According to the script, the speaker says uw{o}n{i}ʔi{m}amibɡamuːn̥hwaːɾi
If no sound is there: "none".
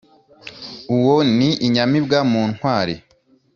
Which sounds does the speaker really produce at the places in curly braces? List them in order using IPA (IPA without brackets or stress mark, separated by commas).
o, i, ɲ